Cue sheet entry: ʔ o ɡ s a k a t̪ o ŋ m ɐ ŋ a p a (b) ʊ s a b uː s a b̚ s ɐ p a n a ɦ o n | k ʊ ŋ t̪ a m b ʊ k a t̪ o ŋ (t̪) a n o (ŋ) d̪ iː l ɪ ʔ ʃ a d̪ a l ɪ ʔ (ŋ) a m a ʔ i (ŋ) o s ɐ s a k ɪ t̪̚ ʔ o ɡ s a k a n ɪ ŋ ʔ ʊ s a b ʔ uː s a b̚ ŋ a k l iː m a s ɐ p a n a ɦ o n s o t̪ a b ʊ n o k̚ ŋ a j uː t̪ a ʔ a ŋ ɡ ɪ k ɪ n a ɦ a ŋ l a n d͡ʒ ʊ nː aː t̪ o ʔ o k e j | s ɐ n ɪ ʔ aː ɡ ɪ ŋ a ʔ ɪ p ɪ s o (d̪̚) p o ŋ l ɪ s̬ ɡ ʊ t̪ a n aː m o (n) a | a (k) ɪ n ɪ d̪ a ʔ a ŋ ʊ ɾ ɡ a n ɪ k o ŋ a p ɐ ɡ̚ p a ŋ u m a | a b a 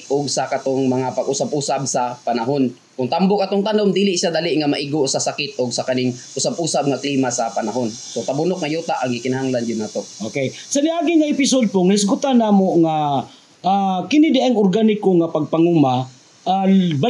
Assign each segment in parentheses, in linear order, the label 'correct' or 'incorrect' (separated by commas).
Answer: incorrect, correct, incorrect, correct, incorrect, correct, incorrect, correct